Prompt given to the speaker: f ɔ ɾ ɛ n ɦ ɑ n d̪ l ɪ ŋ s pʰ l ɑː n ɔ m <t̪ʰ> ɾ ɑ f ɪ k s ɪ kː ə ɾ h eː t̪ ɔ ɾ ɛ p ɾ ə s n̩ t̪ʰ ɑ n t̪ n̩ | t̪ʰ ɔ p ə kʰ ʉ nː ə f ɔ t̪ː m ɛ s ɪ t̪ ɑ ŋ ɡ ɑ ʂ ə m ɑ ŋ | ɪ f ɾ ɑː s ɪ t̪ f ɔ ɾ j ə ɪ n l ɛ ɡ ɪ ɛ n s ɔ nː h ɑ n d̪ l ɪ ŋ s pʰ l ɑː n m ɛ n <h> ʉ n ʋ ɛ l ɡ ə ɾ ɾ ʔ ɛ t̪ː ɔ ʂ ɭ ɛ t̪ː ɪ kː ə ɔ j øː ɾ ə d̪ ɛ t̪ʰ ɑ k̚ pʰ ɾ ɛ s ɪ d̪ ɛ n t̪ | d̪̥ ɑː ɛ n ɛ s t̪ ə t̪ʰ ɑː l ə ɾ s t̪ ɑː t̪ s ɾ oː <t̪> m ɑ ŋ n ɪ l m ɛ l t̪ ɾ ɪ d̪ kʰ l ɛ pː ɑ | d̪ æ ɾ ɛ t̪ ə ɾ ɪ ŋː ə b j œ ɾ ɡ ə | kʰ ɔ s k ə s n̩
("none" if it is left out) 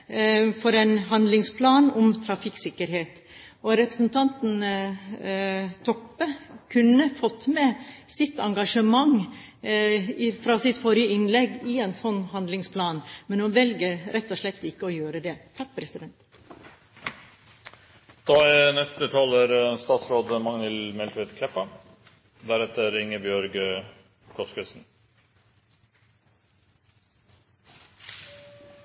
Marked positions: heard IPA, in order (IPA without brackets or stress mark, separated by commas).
t̪ʰ, h, d̪